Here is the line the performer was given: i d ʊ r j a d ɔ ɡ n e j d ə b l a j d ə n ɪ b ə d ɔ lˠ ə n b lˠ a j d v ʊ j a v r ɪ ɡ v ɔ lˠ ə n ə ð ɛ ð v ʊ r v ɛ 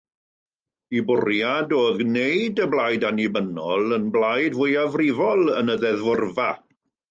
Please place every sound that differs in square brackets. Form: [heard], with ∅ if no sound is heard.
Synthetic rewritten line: i [b] ʊ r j a d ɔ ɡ n e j d ə b l a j d [a] n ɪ b ə [n] ɔ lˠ ə n b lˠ a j d v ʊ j a v r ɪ [∅] v ɔ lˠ ə n ə ð ɛ ð v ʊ r v [a]